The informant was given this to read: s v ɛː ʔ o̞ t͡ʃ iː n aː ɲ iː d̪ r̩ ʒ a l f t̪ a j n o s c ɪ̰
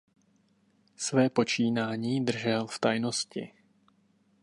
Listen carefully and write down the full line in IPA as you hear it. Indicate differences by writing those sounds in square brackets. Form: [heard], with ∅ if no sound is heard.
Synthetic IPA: s v ɛː [p] o̞ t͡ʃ iː n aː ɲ iː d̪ r̩ ʒ [ɛ] l f t̪ a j n o s c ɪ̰